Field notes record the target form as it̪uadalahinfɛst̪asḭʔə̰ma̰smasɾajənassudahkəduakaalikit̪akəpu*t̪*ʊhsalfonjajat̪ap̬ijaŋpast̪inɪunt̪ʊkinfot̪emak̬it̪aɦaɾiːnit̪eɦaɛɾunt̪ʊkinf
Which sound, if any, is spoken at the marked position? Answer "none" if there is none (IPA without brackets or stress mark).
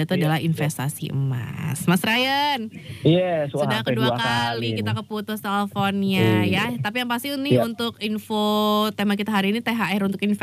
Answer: t̪